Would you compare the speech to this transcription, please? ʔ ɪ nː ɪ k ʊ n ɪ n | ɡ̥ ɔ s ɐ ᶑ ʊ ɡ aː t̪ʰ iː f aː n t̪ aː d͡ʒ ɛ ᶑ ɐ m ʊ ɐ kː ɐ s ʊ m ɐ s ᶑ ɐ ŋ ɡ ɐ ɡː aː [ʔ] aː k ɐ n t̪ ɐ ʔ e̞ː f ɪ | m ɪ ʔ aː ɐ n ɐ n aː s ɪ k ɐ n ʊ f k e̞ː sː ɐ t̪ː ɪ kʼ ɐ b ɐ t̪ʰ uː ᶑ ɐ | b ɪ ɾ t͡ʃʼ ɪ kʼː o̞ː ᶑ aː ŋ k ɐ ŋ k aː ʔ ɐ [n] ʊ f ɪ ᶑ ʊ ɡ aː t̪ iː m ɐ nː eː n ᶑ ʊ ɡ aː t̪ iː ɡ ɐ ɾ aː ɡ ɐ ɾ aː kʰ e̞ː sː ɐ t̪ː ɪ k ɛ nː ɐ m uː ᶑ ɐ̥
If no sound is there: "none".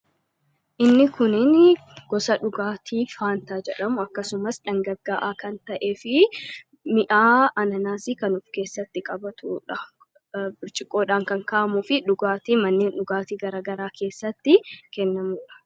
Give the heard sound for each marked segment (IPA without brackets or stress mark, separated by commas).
ʔ, m